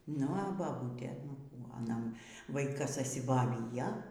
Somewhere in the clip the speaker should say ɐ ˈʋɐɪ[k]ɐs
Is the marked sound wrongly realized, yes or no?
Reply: no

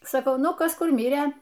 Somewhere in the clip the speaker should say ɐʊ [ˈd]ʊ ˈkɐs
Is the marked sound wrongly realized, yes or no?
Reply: yes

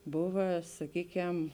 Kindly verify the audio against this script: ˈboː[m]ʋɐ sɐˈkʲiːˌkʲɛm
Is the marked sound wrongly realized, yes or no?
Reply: yes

